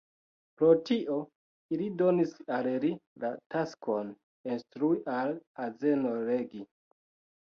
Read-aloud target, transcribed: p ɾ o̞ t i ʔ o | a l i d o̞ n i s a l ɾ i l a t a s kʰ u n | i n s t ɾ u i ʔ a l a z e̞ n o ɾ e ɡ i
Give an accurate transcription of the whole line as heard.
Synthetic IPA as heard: p ɾ o̞ t i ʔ o | i l i d o̞ n i s a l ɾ i l a t a s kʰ o n | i n s t ɾ u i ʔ a l a z e̞ n o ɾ e ɡ i